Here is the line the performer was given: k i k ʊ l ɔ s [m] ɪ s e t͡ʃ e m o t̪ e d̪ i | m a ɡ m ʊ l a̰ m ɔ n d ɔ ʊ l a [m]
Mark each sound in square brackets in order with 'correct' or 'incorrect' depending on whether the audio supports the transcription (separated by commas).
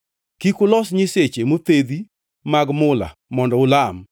incorrect, correct